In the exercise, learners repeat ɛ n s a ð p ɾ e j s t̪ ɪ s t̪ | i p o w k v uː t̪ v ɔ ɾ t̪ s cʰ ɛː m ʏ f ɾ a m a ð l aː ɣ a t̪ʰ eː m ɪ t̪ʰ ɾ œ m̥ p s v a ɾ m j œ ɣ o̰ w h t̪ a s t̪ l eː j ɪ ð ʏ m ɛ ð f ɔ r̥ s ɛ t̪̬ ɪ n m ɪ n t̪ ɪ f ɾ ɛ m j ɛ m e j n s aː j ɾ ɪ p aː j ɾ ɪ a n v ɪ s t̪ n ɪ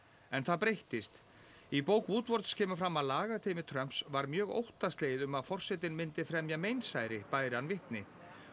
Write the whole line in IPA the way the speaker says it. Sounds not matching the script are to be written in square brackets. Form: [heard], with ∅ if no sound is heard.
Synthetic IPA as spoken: ɛ n [θ] a ð p ɾ e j [h] t̪ ɪ s t̪ | i p o w k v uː t̪ v ɔ ɾ t̪ s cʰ ɛː m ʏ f ɾ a m a ð l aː ɣ a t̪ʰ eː m ɪ t̪ʰ ɾ œ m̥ p s v a ɾ m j [œː] ɣ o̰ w h t̪ a s t̪ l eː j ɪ ð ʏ m [a] ð f ɔ r̥ s ɛ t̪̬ ɪ n m ɪ n t̪ ɪ f ɾ ɛ m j [a] m e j n s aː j ɾ ɪ p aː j ɾ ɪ a n v ɪ [h] t̪ n ɪ